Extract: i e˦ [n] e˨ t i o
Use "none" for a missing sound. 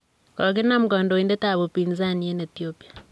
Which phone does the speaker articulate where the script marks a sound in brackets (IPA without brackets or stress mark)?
n